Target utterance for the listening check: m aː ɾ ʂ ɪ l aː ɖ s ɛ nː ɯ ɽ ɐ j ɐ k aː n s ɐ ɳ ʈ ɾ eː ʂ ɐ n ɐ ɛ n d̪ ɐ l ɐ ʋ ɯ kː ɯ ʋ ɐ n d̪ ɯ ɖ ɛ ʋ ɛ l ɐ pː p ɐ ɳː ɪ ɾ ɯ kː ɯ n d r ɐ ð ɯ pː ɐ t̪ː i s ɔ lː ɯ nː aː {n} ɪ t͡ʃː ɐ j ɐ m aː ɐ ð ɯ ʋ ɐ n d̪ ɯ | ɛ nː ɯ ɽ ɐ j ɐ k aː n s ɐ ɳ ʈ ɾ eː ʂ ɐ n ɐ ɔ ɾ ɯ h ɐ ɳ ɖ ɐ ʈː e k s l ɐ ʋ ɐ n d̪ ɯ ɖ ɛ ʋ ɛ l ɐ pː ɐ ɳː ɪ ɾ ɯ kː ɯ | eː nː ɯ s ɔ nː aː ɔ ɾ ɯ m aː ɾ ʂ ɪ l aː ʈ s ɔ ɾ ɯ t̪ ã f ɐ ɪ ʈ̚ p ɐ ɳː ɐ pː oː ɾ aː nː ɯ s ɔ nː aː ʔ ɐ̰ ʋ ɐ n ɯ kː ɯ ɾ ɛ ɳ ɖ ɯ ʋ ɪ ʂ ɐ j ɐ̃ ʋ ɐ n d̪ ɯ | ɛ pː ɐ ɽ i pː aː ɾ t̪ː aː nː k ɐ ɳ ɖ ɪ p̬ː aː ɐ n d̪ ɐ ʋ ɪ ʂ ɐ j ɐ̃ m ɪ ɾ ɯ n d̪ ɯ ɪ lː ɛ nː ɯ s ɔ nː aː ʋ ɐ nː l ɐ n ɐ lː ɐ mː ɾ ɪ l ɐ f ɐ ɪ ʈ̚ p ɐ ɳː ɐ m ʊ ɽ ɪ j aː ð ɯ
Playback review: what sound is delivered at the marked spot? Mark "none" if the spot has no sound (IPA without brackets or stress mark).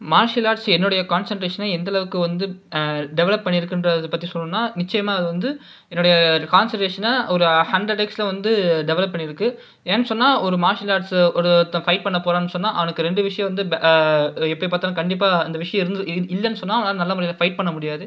n